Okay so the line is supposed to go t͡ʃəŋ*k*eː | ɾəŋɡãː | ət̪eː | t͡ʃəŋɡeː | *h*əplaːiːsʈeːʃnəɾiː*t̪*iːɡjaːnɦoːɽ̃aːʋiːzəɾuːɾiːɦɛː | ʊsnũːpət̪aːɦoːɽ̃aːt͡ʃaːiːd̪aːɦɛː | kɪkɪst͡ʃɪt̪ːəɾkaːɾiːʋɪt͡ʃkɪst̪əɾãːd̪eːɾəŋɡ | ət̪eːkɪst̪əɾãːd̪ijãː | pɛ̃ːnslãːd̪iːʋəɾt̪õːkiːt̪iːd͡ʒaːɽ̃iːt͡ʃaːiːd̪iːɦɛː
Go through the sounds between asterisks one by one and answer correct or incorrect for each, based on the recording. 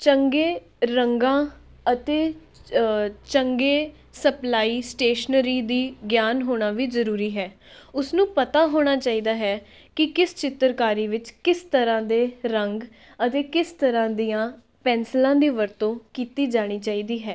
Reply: incorrect, incorrect, incorrect

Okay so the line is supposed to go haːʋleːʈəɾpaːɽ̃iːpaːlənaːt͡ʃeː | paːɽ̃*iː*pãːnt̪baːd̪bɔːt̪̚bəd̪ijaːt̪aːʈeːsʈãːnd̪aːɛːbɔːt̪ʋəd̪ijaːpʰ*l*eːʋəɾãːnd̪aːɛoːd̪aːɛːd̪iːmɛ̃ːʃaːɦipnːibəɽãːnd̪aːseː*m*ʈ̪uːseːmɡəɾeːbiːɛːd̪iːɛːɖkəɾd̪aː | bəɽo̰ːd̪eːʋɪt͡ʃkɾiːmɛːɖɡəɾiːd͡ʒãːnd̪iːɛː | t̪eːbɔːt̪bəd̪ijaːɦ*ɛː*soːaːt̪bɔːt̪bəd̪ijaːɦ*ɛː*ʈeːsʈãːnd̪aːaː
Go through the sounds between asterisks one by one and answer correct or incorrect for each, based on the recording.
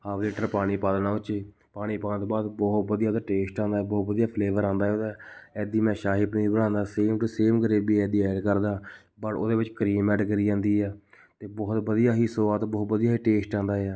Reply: correct, correct, correct, incorrect, incorrect

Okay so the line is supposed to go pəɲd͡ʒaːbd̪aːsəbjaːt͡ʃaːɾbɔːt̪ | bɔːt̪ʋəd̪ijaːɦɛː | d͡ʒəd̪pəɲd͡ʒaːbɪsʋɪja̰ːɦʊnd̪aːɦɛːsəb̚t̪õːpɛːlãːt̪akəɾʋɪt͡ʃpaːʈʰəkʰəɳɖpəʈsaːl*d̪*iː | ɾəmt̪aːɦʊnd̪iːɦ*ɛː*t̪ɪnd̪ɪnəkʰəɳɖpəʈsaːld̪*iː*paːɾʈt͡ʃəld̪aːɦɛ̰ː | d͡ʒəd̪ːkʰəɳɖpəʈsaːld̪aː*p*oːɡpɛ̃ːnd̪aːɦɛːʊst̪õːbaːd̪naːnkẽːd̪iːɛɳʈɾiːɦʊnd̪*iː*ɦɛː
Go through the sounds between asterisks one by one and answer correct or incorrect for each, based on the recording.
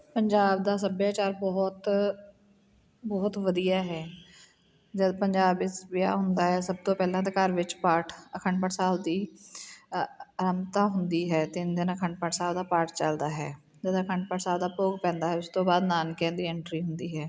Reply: correct, correct, incorrect, correct, correct

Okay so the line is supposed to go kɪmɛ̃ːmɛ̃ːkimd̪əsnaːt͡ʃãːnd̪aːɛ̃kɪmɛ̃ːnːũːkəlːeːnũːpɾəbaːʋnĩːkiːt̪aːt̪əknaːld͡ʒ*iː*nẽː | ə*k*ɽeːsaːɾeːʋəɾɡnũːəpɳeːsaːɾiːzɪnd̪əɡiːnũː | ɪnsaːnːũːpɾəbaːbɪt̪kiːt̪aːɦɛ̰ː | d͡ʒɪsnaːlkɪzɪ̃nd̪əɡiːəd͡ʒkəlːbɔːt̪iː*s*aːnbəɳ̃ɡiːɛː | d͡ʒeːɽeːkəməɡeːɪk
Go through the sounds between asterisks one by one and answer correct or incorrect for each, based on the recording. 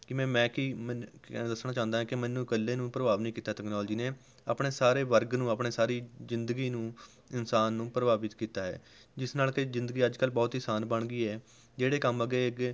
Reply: correct, incorrect, correct

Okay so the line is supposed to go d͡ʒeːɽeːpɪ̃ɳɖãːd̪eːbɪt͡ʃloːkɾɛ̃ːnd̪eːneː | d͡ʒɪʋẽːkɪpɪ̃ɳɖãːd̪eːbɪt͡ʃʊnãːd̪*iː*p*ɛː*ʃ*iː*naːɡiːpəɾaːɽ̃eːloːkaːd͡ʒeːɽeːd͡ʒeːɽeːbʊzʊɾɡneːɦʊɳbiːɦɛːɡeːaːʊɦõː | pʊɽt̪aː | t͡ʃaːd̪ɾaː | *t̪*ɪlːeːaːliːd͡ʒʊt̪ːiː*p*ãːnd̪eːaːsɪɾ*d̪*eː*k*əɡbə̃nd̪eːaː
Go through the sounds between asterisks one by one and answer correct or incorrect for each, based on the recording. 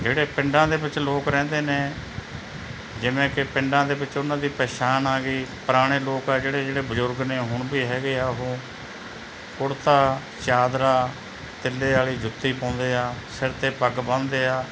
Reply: correct, correct, incorrect, correct, correct, incorrect, incorrect

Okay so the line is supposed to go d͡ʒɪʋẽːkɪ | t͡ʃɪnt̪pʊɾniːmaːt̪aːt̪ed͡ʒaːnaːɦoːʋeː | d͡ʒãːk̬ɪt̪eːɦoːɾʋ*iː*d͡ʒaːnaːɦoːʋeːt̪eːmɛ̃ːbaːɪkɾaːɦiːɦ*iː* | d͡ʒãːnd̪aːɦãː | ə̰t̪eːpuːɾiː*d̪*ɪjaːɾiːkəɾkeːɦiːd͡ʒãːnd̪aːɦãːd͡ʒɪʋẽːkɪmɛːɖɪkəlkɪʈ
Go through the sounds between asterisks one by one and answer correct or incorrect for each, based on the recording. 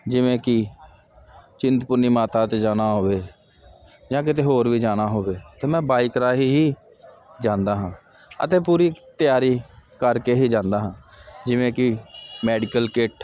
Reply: correct, correct, incorrect

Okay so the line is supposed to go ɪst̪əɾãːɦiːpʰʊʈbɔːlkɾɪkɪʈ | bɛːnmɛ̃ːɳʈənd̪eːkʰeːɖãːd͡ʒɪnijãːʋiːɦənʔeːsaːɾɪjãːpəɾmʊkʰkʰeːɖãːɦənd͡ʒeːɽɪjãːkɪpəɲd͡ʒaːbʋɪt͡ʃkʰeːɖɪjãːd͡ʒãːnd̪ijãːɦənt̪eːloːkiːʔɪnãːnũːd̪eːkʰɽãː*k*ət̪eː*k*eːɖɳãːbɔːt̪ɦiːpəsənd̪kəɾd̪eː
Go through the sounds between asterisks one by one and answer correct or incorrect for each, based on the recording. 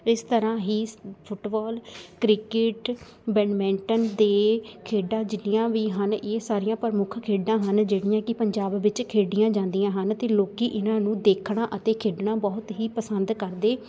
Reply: incorrect, incorrect

